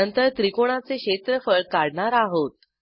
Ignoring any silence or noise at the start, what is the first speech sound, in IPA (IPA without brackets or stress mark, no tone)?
ə